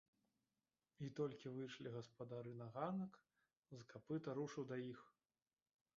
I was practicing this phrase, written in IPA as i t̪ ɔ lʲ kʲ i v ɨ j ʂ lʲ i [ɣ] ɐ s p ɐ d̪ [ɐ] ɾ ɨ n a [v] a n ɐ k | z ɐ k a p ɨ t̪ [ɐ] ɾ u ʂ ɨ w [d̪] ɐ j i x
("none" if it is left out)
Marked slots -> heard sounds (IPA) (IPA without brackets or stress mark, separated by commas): ɣ, a, ɣ, ɐ, d̪